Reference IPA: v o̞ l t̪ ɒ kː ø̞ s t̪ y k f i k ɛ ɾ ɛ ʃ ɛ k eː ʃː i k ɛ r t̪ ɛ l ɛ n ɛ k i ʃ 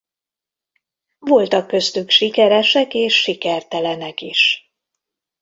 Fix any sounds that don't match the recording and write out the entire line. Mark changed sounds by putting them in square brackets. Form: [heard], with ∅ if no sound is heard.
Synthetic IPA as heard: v o̞ l t̪ ɒ kː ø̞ s t̪ y k [ʃ] i k ɛ ɾ ɛ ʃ ɛ k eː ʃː i k ɛ r t̪ ɛ l ɛ n ɛ k i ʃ